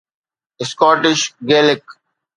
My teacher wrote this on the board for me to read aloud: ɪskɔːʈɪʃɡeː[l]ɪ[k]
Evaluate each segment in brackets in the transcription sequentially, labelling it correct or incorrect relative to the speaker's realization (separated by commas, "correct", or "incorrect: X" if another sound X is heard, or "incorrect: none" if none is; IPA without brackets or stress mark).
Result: correct, correct